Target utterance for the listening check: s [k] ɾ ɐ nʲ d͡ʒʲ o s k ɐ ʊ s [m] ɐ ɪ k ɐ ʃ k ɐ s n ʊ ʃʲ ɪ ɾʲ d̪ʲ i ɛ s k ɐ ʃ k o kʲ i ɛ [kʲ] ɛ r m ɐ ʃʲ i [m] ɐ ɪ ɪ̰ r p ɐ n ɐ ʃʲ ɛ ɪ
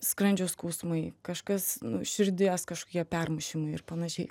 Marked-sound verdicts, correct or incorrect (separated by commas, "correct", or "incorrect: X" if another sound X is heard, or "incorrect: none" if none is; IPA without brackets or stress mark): correct, correct, incorrect: pʲ, correct